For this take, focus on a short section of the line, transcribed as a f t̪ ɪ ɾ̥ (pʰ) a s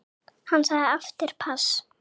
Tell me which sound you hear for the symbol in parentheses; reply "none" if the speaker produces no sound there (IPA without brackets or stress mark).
pʰ